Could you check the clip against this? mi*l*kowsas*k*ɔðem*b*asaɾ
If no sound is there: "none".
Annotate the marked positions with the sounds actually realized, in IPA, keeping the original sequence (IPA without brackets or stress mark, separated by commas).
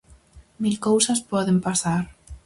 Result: l, p, p